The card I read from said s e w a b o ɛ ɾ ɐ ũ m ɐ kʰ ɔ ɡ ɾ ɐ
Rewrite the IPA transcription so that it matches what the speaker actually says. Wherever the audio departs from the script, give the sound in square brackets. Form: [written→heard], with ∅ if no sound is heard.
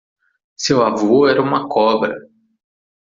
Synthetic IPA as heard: s e w a [b→v] o ɛ ɾ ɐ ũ m ɐ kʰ ɔ [ɡ→b] ɾ ɐ